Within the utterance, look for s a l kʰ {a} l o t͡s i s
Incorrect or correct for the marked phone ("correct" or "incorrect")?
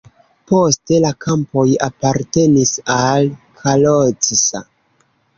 correct